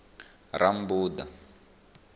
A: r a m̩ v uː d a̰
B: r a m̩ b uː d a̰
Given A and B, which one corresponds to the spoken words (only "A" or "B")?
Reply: B